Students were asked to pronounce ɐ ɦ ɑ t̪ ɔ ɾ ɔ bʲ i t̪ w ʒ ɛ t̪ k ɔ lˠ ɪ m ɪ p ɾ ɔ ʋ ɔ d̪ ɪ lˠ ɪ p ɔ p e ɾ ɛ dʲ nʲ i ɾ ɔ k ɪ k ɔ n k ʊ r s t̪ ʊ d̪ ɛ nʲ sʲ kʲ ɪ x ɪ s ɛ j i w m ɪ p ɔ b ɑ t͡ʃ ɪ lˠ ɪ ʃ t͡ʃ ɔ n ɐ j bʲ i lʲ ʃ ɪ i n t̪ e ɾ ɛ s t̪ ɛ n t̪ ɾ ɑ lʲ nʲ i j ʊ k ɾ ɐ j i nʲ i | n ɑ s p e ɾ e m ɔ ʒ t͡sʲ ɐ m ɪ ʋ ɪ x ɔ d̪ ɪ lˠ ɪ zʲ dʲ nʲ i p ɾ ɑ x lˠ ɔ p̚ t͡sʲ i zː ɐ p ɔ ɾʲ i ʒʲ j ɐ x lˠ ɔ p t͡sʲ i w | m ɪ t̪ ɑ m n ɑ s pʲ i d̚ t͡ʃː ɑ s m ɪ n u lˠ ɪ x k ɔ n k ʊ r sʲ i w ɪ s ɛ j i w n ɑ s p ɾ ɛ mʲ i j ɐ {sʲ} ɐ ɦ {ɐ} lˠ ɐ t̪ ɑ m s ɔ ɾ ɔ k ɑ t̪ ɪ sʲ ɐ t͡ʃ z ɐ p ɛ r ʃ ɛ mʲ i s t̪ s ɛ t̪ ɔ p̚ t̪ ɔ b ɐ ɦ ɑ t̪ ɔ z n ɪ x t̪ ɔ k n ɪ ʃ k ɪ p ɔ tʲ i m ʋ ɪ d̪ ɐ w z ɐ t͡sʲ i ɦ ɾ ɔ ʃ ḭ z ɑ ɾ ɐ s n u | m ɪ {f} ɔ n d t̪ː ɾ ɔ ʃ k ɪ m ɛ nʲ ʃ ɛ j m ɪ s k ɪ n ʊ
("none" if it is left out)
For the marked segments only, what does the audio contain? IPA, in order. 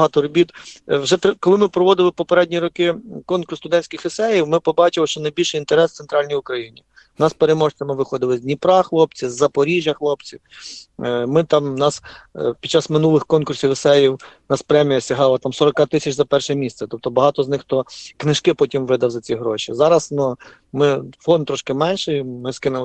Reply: sʲ, ɑ, f

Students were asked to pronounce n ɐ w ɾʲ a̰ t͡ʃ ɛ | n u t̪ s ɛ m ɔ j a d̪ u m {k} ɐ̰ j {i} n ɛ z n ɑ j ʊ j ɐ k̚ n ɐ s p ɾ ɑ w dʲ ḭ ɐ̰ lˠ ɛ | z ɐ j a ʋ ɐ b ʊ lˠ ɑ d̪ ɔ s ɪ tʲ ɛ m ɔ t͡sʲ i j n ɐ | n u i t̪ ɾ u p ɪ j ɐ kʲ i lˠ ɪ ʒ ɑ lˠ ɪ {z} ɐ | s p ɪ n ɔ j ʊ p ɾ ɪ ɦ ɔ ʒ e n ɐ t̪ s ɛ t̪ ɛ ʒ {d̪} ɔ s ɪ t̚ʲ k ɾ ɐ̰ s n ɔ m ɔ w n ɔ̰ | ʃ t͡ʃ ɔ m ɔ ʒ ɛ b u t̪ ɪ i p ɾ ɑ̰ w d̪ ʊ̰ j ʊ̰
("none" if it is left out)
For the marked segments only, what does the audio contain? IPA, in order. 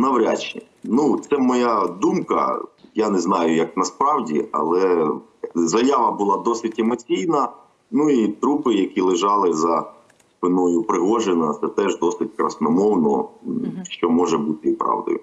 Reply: k, a, z, d̪

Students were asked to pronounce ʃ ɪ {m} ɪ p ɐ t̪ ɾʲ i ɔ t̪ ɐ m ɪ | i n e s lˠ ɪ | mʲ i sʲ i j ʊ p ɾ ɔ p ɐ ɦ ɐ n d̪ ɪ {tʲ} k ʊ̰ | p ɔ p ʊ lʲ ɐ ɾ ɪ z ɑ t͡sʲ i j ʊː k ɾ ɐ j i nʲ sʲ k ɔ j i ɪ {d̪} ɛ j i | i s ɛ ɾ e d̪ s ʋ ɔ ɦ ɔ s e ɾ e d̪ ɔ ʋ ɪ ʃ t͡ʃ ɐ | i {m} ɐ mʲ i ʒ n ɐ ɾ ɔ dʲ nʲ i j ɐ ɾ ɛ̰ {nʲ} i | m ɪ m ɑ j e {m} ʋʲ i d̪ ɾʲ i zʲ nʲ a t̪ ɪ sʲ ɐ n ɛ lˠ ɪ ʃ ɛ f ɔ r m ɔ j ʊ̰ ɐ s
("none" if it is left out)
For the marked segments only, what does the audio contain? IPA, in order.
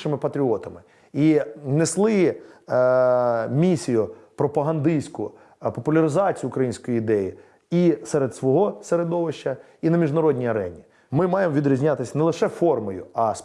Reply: m, sʲ, d̪, n, nʲ, m

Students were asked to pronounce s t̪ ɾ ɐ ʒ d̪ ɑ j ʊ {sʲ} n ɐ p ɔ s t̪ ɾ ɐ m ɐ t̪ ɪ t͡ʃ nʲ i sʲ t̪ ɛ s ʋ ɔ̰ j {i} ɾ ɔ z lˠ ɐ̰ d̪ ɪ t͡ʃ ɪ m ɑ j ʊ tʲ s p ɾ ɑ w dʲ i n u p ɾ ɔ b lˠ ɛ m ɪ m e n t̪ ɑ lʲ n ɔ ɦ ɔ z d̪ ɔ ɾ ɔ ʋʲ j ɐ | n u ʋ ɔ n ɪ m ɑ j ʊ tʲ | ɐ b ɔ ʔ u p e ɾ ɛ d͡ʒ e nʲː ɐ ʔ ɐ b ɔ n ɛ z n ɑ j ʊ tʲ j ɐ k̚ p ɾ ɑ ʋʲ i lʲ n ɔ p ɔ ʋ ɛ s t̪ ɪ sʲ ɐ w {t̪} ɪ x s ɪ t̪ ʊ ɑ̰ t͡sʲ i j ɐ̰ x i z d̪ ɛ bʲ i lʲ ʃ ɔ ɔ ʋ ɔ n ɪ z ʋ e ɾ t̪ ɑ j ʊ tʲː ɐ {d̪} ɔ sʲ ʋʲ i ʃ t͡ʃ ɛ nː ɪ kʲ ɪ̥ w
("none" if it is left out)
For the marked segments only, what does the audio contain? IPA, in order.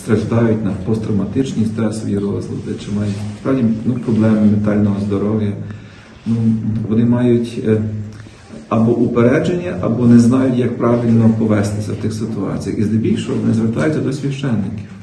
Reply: tʲ, i, t̪, d̪

